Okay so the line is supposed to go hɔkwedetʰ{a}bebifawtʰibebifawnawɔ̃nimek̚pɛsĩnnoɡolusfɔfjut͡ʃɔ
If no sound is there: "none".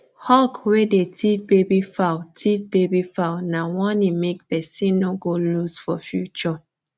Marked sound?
i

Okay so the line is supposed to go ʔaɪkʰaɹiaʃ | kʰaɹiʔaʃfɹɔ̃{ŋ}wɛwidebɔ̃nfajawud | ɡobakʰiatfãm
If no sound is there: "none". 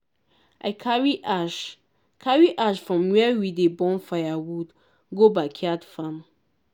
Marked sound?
m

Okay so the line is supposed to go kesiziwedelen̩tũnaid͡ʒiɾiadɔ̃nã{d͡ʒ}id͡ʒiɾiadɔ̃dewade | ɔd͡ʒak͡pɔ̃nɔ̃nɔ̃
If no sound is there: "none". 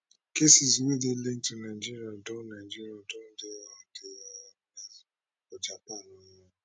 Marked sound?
none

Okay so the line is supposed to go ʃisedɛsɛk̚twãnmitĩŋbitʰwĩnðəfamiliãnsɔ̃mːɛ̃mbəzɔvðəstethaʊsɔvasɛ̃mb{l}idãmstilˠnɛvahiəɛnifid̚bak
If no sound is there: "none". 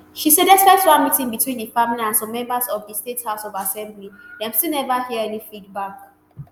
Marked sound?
l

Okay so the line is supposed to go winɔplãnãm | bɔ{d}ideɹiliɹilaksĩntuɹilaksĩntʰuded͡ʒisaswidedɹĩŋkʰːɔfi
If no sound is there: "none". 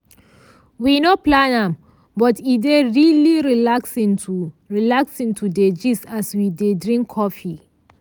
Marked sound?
t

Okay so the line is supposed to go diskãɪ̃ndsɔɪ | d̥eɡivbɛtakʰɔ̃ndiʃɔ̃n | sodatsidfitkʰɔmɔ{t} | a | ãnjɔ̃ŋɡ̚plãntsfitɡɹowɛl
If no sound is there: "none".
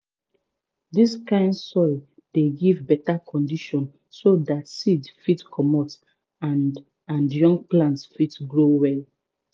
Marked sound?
t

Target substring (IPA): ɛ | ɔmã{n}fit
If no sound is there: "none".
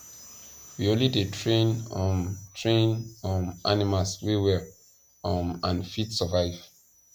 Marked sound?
n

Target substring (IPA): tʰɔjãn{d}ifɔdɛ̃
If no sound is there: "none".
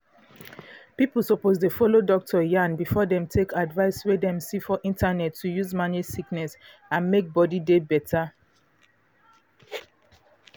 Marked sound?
b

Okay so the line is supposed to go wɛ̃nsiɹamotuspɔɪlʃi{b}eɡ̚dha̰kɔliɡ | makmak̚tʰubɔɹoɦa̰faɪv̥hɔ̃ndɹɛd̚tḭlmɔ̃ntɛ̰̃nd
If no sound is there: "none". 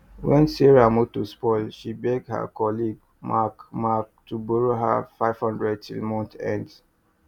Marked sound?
b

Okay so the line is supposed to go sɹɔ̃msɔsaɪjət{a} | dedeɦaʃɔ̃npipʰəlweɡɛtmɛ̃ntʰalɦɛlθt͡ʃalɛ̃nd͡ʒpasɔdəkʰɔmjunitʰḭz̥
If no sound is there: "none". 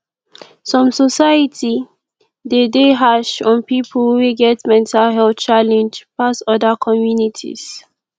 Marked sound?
i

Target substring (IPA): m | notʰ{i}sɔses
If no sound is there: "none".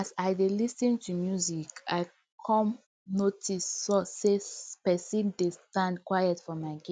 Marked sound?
i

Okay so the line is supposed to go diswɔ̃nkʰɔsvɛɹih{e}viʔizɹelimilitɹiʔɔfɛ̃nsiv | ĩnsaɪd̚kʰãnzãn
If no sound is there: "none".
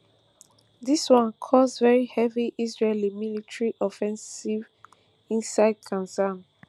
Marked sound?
ɛ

